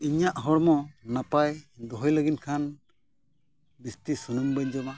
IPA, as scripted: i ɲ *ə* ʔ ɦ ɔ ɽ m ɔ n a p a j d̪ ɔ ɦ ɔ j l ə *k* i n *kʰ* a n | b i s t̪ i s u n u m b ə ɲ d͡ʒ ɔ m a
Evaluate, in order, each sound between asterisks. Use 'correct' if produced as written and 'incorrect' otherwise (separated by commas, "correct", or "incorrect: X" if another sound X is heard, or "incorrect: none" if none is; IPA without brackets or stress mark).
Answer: incorrect: a, incorrect: ɡ, correct